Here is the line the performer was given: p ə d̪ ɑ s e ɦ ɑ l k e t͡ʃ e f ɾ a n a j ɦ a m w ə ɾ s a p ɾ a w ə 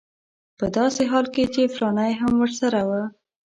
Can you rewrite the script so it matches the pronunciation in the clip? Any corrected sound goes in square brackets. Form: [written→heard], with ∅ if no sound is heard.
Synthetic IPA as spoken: p ə d̪ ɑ s e ɦ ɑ l k e t͡ʃ e f ɾ [a→ɑ] n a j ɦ a m w ə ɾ s a [p→∅] ɾ a w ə

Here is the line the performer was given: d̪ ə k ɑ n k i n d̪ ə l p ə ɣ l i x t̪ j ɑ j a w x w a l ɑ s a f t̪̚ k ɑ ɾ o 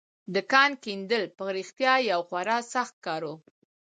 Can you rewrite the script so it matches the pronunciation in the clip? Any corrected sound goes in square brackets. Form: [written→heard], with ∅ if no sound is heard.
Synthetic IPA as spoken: d̪ ə k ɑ n k i n d̪ ə l p ə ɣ [l→ɾ] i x t̪ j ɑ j a w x w a [l→ɾ] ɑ s a [f→x] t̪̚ k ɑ ɾ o

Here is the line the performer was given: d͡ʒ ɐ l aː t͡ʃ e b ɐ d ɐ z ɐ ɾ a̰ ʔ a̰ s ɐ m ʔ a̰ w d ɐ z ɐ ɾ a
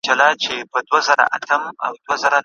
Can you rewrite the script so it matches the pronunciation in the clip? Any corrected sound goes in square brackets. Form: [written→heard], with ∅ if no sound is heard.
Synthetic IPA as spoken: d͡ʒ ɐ l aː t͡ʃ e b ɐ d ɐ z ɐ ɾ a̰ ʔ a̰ [s→t] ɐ m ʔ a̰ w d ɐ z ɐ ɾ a

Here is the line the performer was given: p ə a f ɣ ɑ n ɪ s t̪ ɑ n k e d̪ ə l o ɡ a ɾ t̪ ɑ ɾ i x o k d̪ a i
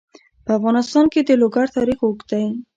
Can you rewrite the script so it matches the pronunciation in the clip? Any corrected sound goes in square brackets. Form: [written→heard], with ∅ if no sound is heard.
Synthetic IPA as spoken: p ə a f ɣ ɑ n ɪ s t̪ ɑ n k e d̪ ə l o ɡ a ɾ t̪ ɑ ɾ i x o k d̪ a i

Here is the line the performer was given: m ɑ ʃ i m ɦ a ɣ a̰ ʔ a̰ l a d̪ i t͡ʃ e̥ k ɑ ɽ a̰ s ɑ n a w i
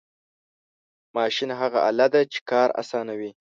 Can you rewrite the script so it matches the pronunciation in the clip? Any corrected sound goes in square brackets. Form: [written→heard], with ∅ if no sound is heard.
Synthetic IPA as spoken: m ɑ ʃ i [m→n] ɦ a ɣ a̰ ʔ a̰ l a d̪ [i→a] t͡ʃ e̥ k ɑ [ɽ→ɾ] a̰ s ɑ n a w i

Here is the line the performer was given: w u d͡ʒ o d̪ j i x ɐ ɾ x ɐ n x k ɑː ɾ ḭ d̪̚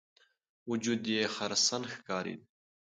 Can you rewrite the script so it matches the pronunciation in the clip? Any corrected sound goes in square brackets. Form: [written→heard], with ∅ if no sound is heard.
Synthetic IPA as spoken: w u d͡ʒ [o→u] d̪ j [i→e] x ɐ ɾ [x→s] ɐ n x k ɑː ɾ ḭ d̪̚

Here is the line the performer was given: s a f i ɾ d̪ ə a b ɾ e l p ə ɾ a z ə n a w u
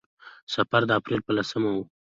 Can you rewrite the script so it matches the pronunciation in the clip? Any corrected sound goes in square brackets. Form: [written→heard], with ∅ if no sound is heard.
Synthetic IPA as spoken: s a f [i→a] ɾ d̪ ə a [b→p] ɾ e l p ə [ɾ→l] a [z→s] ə [n→m] a w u

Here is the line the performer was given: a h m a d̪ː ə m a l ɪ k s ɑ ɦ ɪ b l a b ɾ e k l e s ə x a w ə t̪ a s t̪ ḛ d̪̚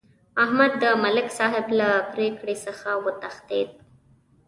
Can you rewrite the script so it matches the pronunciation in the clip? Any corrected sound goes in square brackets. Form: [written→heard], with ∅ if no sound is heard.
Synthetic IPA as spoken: a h m a d̪ː ə m a l ɪ k s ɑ ɦ ɪ b l a [b→p] ɾ e k [l→ɽ] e s ə x a w ə t̪ a [s→x] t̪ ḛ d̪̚

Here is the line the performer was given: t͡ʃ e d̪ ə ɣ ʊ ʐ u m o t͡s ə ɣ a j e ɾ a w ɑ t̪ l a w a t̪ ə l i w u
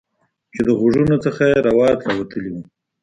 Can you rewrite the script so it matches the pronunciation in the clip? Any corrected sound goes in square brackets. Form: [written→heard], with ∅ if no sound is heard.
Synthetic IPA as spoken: t͡ʃ e d̪ ə ɣ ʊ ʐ u [m→n] o t͡s ə [ɣ→x] a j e ɾ a w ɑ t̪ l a w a t̪ ə l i w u

